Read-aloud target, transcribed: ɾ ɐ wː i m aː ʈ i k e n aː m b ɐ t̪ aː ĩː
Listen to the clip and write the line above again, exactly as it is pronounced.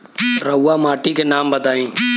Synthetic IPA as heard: ɾ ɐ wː a m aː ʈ i k e n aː m b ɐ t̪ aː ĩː